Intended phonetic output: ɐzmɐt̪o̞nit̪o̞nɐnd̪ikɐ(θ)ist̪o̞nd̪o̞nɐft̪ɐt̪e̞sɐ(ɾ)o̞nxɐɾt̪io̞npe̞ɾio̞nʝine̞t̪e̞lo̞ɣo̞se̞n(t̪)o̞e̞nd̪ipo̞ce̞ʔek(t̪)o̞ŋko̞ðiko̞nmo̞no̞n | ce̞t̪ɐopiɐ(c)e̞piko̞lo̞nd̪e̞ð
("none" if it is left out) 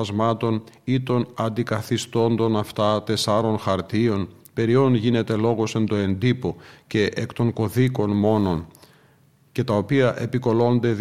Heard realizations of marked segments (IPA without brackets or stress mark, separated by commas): θ, ɾ, d̪, t̪, ʔ